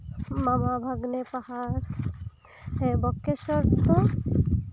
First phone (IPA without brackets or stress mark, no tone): m